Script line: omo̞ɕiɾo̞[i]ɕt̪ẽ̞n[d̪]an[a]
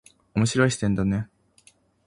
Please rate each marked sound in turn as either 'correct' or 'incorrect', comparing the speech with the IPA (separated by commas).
correct, correct, incorrect